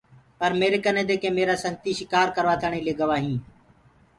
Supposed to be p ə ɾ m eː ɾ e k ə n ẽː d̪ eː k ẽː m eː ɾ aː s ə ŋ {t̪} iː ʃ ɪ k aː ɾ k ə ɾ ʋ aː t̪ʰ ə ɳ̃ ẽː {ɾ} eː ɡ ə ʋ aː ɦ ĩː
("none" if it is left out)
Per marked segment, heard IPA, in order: t̪, l

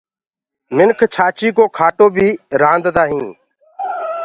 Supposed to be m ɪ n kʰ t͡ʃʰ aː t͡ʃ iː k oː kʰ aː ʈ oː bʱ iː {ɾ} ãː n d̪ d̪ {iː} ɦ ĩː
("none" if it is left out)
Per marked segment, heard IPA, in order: ɾ, aː

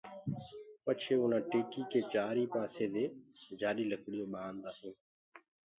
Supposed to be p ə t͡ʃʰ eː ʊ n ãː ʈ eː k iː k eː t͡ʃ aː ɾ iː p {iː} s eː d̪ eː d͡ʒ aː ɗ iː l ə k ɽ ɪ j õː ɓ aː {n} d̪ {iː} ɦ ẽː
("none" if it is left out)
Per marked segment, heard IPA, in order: aː, n, aː

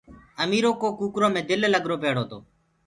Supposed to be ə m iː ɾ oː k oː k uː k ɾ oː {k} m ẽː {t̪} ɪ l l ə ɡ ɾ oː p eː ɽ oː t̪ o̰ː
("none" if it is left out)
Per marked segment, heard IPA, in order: none, d̪

